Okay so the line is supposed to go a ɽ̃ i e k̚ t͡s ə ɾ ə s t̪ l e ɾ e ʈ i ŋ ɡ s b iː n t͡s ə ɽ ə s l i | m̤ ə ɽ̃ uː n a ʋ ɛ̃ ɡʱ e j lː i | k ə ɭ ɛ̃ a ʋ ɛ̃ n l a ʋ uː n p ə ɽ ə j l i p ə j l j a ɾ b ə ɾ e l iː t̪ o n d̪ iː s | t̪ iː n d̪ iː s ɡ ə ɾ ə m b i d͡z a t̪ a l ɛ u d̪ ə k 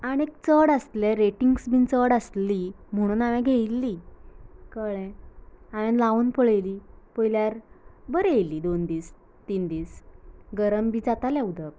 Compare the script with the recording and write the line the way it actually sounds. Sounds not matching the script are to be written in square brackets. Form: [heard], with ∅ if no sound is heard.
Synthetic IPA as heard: a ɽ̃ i e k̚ t͡s ə [ɽ] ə s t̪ l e ɾ e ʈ i ŋ ɡ s b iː n t͡s ə ɽ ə s l i | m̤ ə ɽ̃ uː n a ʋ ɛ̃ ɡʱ e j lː i | k ə ɭ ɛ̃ a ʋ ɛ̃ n l a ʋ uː n p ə [ɭ] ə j l i p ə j l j a ɾ b ə ɾ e l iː [d̪] o n d̪ iː s | t̪ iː n d̪ iː s ɡ ə ɾ ə m b i d͡z a t̪ a l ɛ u d̪ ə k